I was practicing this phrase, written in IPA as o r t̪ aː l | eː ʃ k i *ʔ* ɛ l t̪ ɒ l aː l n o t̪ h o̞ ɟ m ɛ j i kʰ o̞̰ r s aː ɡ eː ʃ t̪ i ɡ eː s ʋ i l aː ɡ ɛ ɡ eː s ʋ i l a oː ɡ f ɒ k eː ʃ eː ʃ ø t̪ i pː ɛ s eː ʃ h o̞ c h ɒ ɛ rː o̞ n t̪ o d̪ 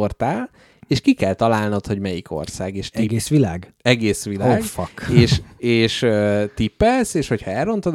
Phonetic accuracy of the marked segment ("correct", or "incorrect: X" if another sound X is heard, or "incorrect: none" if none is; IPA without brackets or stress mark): incorrect: k